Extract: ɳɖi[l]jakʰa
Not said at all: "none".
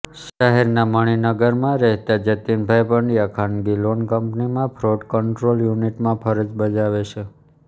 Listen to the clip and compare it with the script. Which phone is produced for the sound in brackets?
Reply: none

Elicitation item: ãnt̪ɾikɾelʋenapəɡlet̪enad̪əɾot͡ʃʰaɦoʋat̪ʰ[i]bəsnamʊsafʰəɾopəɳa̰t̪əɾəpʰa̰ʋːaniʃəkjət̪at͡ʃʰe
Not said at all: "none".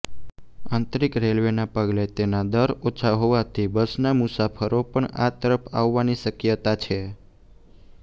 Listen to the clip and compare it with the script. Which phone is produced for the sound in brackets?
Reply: i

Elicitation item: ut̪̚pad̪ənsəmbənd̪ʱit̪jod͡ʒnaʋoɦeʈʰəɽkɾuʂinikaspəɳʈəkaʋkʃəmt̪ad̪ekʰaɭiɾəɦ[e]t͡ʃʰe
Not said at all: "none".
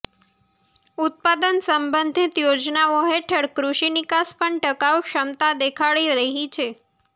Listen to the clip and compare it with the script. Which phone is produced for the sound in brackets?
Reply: i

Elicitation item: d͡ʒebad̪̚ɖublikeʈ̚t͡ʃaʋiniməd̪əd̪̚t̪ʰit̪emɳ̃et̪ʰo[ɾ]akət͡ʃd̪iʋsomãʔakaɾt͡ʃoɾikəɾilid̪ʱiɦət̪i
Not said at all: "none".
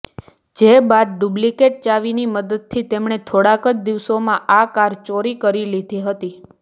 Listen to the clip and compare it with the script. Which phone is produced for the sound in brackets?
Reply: ɽ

